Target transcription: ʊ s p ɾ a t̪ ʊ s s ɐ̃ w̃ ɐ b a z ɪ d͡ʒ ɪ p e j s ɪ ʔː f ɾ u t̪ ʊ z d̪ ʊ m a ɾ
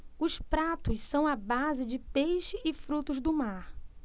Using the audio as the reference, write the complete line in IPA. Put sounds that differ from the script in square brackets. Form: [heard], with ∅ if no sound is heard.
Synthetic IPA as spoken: ʊ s p ɾ a t̪ ʊ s s ɐ̃ w̃ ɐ b a z ɪ d͡ʒ ɪ p e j [ʃ] ɪ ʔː f ɾ u t̪ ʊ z d̪ ʊ m a ɾ